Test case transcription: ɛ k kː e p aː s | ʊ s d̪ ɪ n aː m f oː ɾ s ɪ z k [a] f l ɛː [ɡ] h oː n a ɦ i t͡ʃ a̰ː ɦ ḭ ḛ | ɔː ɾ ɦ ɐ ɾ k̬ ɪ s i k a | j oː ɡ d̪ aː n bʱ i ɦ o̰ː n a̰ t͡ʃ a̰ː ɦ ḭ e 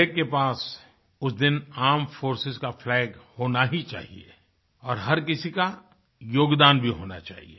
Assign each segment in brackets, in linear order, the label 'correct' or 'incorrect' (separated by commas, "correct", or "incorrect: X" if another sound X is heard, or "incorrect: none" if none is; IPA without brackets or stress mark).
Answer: correct, correct